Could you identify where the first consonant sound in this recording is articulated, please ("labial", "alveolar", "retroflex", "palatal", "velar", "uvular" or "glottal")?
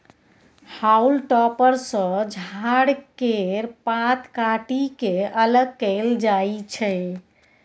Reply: glottal